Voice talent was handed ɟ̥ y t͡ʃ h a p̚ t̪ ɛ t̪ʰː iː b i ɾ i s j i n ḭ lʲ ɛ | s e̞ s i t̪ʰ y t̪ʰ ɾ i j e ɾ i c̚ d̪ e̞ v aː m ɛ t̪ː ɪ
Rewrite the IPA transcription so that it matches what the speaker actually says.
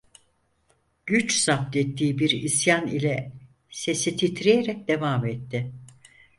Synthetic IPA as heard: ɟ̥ y t͡ʃ s a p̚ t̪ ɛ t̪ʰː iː b i ɾ i s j a n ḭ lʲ ɛ | s e̞ s i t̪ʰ i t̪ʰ ɾ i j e ɾ ɛ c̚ d̪ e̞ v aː m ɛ t̪ː ɪ